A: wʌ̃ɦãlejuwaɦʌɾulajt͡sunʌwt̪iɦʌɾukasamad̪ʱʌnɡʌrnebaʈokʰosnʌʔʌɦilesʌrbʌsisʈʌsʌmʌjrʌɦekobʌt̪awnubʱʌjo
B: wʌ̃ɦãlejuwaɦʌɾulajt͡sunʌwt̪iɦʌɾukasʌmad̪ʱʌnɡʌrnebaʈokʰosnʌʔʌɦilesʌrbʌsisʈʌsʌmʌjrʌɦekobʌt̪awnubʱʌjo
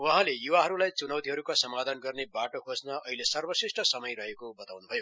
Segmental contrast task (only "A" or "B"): B